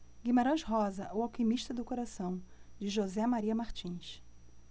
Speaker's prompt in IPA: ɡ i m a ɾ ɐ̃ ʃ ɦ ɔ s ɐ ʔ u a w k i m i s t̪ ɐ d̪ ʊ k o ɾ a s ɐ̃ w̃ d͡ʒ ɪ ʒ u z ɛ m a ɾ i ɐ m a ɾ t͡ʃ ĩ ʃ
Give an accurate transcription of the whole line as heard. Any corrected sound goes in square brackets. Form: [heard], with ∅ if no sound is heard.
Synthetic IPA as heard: ɡ i m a ɾ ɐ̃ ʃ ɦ ɔ [z] ɐ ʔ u a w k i m i [ʃ] t̪ ɐ d̪ ʊ k o ɾ a s ɐ̃ w̃ d͡ʒ ɪ ʒ [o] z ɛ m a ɾ i ɐ m a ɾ t͡ʃ ĩ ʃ